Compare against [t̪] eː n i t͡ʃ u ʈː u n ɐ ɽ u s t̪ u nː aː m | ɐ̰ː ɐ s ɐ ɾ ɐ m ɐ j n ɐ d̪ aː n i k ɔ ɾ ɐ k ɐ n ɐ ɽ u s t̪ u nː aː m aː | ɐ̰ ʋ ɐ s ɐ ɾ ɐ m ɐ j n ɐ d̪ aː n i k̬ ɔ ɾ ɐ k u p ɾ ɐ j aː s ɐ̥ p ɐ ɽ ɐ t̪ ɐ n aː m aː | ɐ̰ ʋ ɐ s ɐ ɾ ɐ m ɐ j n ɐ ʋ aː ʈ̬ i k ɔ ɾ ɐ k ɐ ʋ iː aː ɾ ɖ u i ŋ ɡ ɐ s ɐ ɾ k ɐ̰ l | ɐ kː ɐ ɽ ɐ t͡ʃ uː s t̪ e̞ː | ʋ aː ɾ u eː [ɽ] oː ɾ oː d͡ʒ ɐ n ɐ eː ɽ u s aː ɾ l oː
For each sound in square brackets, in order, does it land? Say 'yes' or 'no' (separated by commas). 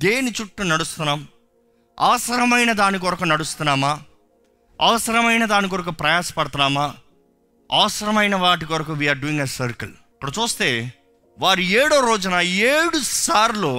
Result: no, yes